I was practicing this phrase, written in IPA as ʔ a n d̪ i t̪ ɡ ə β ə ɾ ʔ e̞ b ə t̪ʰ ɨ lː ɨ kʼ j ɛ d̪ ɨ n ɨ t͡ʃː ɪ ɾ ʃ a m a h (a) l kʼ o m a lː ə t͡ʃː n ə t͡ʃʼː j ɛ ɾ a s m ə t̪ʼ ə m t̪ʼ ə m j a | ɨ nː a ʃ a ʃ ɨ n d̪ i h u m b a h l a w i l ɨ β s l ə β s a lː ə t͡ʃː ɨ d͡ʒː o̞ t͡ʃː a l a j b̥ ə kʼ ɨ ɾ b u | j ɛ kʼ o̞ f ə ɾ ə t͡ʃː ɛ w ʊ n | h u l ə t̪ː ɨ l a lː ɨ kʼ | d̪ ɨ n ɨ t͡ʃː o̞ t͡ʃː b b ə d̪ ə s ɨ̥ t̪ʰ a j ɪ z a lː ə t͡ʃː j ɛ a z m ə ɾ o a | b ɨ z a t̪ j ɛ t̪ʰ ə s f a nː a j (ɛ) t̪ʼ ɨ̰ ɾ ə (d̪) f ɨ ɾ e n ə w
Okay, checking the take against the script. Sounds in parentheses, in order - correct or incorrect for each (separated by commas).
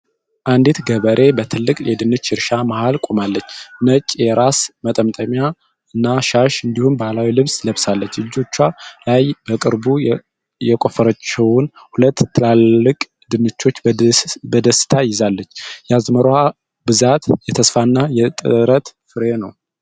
correct, correct, incorrect